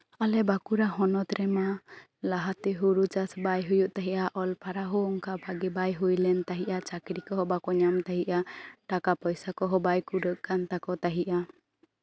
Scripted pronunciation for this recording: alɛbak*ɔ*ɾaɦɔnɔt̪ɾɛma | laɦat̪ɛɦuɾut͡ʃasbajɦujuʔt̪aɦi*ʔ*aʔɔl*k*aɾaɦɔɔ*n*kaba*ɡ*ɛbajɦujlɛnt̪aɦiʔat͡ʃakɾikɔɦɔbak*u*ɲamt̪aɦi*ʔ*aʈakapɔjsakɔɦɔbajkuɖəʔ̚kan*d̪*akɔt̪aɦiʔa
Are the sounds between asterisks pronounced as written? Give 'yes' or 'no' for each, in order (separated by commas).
no, yes, no, no, yes, no, yes, no